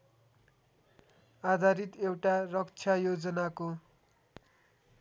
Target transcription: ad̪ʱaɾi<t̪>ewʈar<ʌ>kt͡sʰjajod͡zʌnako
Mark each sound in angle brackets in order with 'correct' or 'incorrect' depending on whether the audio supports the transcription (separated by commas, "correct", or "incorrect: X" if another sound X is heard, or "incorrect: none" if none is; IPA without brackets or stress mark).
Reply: correct, correct